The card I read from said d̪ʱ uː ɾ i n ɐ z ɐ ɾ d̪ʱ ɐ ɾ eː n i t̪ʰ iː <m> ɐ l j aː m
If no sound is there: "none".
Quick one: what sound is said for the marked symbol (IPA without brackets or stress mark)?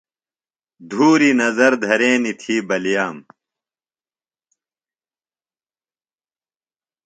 b